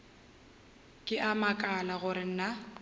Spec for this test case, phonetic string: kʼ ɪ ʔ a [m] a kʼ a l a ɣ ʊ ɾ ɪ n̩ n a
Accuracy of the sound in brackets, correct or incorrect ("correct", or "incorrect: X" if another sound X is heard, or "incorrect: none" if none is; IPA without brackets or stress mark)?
correct